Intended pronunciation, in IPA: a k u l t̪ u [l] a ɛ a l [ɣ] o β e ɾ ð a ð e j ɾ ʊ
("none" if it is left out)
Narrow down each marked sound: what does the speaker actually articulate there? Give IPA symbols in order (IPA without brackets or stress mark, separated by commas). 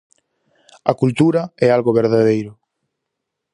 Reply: ɾ, ɣ